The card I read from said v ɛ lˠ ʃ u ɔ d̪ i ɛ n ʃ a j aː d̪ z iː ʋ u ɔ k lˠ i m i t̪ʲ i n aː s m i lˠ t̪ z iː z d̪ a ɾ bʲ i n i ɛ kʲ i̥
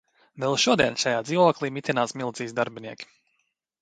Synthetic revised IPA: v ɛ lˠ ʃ u ɔ d̪ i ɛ n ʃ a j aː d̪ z iː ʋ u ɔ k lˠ iː m i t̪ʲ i n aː s m i lˠ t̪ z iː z d̪ a ɾ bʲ i n i ɛ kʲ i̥